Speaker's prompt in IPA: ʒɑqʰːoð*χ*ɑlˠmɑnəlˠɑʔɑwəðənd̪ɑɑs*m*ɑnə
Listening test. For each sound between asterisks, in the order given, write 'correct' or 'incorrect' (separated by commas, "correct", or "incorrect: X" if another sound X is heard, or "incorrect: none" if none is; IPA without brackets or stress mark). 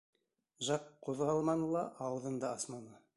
incorrect: ʁ, correct